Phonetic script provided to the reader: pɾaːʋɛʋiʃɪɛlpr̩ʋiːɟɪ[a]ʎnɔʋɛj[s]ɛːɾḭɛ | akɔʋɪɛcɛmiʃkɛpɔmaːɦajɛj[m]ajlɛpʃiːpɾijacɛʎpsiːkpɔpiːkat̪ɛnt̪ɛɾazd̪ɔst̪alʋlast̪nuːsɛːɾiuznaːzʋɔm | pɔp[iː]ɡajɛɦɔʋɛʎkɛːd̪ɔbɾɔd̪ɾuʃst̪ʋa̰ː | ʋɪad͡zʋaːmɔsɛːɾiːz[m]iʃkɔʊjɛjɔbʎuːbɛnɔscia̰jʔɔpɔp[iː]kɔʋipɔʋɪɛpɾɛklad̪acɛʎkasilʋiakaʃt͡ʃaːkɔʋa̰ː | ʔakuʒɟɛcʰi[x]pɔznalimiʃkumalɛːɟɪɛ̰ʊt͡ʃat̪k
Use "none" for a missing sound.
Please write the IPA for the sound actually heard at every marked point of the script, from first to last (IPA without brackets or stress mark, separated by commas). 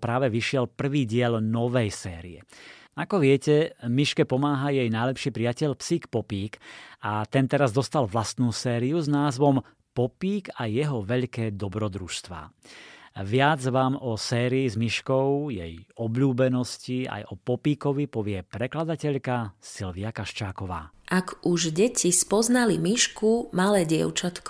ɛ, s, n, iː, m, iː, s